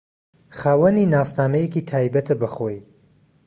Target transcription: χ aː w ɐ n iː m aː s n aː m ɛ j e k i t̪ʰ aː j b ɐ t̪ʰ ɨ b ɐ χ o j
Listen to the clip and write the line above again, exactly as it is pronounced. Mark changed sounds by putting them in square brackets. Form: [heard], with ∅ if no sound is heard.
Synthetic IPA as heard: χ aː w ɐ n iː [n] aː s n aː m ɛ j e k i t̪ʰ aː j b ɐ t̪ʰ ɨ b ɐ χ o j